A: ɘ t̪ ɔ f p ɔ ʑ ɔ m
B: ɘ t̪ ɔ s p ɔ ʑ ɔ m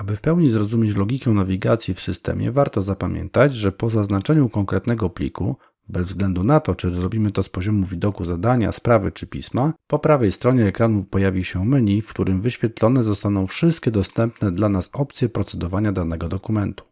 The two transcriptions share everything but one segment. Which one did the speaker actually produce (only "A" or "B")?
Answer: B